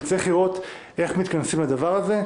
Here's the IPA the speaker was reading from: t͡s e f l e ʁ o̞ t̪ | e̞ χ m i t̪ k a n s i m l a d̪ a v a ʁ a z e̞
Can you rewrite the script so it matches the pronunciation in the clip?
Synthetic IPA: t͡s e χ l i ʁ o̞ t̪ | e̞ χ m i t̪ k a n s i m l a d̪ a v a ʁ a z e̞